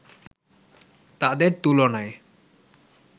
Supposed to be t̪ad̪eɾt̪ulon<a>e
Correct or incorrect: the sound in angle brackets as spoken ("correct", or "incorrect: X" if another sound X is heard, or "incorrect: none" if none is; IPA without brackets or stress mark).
correct